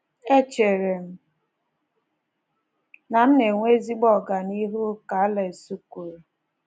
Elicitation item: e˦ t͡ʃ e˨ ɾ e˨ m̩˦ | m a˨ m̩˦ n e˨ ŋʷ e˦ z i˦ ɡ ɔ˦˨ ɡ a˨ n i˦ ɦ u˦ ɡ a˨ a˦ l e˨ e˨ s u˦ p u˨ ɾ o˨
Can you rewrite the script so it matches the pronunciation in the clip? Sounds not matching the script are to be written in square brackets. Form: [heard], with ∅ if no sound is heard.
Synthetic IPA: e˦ t͡ʃ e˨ ɾ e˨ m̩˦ | [n] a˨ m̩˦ n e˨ ŋʷ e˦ z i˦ [ɡ͡b] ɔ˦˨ ɡ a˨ n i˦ ɦ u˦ [k] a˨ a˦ l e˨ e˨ s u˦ [k] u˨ ɾ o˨